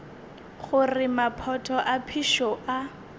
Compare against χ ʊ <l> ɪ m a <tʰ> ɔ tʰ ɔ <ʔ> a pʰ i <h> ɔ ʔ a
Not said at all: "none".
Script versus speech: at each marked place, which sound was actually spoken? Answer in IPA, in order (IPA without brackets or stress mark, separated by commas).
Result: r, pʰ, ʔ, ʃ